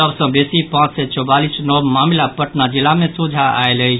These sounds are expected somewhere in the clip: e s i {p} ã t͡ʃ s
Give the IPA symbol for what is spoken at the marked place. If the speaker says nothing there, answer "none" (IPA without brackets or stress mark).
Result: p